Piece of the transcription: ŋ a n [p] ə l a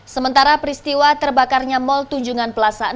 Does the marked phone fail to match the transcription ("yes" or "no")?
no